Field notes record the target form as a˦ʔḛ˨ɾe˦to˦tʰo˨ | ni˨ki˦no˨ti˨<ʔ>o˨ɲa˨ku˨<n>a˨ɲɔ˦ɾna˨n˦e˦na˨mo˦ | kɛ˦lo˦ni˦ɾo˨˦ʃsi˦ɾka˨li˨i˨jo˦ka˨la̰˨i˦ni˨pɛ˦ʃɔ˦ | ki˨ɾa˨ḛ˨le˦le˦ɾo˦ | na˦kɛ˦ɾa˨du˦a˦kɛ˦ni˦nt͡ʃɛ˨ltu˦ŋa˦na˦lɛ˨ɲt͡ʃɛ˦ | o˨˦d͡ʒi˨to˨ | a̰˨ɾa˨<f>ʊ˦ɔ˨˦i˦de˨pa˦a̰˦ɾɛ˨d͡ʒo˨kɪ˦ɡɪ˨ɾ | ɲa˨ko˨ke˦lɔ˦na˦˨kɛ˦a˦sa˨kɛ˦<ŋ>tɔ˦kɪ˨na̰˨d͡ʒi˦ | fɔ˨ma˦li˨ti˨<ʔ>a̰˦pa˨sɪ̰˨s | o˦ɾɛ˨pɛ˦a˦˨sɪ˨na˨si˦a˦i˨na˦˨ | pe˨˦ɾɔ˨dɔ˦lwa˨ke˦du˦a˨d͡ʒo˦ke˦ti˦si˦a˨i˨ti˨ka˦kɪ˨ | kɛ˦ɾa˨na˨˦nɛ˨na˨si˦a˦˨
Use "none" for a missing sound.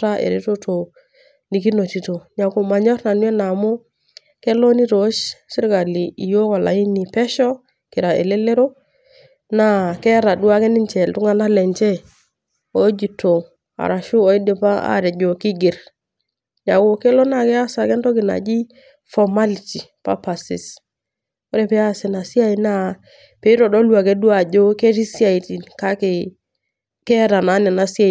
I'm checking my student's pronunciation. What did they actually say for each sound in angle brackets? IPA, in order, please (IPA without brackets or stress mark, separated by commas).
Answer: t, m, ʃ, n, p